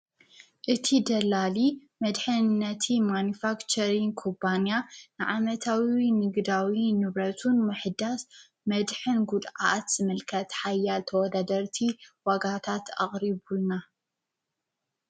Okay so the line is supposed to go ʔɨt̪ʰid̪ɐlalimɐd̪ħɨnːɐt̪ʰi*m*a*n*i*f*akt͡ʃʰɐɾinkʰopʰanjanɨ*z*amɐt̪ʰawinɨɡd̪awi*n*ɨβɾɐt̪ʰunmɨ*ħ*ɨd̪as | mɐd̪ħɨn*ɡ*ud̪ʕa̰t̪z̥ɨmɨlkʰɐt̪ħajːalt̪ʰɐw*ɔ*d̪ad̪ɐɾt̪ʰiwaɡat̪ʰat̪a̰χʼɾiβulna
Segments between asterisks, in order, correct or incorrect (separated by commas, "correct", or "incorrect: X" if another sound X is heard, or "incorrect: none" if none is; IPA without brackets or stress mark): correct, correct, correct, incorrect: ʕ, correct, correct, correct, correct